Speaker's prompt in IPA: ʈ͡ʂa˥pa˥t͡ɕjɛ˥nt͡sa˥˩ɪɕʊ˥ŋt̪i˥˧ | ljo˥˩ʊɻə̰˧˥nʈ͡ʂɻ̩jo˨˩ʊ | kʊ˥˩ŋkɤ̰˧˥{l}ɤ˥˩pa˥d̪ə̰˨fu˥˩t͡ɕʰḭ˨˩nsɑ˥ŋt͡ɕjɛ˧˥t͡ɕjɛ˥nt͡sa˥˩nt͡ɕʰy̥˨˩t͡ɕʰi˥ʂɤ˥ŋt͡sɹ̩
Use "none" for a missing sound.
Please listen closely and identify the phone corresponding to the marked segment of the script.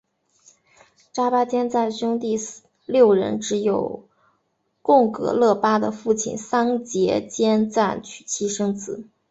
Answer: l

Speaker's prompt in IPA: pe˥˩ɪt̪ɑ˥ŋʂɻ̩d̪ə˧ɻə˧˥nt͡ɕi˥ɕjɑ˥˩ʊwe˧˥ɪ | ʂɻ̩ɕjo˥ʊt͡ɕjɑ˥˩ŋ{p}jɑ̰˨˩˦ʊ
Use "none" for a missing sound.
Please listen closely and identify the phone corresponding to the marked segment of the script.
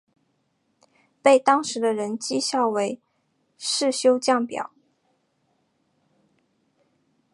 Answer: p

